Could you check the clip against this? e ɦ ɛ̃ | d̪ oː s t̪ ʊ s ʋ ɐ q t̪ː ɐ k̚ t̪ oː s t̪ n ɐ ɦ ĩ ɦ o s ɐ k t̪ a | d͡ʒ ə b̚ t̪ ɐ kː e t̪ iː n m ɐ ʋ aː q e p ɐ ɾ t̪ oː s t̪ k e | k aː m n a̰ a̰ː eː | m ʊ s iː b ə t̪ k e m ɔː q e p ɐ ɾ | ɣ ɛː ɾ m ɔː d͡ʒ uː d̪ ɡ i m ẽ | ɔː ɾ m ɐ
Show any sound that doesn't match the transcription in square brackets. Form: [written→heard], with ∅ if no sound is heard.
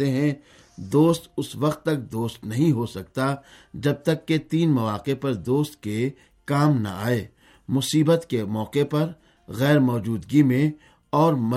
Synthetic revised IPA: e ɦ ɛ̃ | d̪ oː s t̪ ʊ s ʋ ɐ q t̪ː ɐ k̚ [t̪→d̪] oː s t̪ n ɐ ɦ ĩ ɦ o s ɐ k t̪ a | d͡ʒ [ə→ɐ] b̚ t̪ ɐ kː e t̪ iː n m ɐ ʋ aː q e p ɐ ɾ [t̪→d̪] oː s t̪ k e | k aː m n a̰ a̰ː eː | m ʊ s iː b ə t̪ k e m ɔː q e p ɐ ɾ | ɣ ɛː ɾ m ɔː d͡ʒ uː d̪ ɡ i m ẽ | ɔː ɾ m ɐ